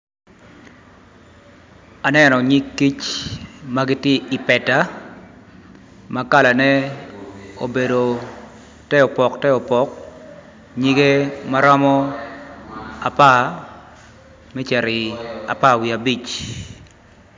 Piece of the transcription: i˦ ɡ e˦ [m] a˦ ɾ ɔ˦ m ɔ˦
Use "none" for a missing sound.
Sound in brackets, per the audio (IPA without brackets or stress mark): m